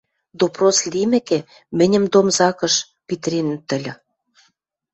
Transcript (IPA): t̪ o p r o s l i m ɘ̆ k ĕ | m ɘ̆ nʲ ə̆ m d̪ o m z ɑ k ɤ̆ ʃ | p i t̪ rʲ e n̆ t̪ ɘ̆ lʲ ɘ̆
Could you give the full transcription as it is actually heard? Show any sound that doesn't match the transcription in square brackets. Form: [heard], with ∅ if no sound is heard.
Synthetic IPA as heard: [d̪] o p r o s l i m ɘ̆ k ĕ | m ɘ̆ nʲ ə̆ m d̪ o m z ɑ k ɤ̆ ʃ | p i t̪ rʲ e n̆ t̪ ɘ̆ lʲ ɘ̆